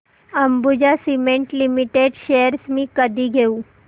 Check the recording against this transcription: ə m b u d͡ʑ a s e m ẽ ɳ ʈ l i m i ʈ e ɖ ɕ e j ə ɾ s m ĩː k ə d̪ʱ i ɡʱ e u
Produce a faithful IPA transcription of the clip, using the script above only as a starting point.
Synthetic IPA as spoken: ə m b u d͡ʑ a s i m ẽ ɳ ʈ l i m i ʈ e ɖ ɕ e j ə ɾ s m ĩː k ə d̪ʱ i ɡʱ e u